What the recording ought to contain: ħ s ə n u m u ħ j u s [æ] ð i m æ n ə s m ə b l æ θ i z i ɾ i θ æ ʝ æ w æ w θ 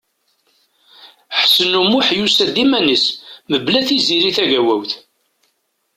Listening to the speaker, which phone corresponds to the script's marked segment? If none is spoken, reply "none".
æ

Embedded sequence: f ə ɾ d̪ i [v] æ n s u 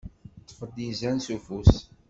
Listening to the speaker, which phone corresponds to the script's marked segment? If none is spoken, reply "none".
z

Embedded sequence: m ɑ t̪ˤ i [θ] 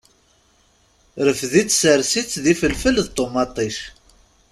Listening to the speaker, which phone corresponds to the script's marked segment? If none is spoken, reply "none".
ʃ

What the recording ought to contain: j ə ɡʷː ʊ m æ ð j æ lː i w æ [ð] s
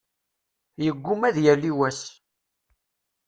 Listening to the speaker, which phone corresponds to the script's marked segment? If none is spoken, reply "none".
none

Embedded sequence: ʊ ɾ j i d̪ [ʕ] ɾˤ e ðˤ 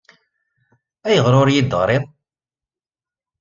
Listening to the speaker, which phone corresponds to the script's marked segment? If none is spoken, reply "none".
ʁ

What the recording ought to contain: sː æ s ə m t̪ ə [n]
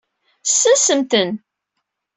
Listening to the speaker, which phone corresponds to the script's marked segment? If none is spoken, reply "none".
n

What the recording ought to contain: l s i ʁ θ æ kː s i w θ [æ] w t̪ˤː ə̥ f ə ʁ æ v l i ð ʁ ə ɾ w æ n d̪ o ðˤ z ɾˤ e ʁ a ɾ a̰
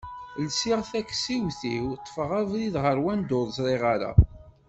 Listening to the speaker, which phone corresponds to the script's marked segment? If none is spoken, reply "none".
i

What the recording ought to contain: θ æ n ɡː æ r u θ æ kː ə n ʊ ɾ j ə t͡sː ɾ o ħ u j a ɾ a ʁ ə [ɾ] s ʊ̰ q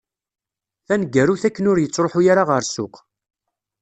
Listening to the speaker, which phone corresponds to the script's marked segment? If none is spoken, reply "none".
ɾ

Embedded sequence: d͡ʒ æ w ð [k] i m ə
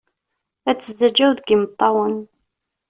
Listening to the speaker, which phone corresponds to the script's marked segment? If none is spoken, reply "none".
ɡ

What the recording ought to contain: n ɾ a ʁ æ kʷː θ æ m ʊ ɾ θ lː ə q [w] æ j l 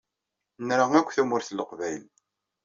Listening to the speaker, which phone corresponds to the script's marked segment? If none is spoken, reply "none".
v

